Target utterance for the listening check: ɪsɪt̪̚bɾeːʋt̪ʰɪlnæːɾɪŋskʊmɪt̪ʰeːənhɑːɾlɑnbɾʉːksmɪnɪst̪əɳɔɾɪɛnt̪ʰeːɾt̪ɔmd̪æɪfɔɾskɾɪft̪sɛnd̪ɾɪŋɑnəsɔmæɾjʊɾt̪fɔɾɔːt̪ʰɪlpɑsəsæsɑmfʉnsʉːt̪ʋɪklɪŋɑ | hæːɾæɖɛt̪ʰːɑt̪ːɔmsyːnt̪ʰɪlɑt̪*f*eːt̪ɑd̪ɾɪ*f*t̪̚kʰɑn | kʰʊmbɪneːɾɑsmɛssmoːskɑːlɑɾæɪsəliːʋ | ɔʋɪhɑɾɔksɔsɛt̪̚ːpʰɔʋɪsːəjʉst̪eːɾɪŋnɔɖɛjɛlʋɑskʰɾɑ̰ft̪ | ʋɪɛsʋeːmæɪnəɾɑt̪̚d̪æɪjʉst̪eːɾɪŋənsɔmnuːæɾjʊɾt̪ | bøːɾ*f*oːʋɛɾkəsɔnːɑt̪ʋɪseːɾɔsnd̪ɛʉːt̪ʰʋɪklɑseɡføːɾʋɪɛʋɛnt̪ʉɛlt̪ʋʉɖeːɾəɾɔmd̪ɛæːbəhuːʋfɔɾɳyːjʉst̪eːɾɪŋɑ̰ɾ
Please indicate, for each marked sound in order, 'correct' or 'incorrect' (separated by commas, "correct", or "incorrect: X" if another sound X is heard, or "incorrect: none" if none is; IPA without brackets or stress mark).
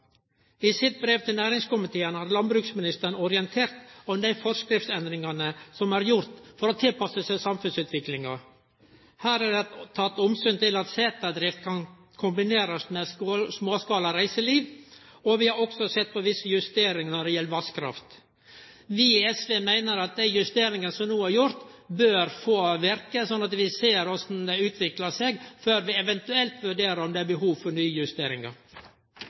incorrect: s, correct, correct